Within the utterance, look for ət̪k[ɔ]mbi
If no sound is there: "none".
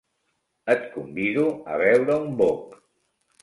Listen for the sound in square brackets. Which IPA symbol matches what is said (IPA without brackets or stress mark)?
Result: u